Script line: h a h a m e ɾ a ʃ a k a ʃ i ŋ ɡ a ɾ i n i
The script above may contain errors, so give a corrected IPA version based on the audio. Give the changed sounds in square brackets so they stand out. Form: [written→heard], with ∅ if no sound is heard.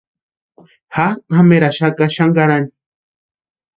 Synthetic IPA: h a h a m e ɾ a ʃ a k a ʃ [i→a] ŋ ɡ a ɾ [i→a] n i